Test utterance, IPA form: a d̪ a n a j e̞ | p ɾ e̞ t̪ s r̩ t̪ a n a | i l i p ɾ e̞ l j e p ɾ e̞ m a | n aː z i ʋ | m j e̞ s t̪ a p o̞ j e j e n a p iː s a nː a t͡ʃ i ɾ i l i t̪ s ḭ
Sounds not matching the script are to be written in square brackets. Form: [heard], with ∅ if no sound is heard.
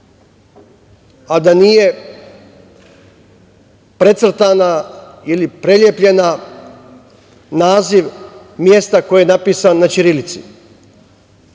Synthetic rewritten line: a d̪ a n [i] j e̞ | p ɾ e̞ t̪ s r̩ t̪ a n a | i l i p ɾ e̞ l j e p [ʎ] e̞ [n] a | n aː z i ʋ | m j e̞ s t̪ a [k] o̞ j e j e n a p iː s a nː a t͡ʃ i ɾ i l i t̪ s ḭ